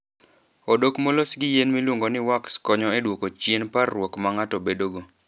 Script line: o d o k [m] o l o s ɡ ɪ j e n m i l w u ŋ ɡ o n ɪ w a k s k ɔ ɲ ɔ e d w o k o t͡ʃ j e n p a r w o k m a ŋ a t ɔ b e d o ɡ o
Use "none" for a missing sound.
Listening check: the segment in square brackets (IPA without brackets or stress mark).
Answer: m